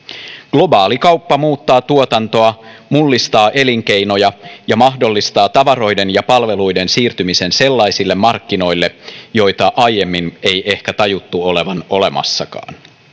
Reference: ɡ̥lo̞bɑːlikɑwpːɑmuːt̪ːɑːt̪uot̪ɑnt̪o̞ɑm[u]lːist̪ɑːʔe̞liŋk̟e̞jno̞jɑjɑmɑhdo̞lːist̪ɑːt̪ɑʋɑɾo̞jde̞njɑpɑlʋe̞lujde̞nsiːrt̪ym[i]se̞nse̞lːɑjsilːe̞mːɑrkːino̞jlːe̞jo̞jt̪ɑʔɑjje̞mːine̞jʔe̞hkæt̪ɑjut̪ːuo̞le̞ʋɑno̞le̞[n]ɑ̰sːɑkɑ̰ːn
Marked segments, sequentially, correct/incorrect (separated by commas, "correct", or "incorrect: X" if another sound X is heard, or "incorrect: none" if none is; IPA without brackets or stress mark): correct, correct, incorrect: m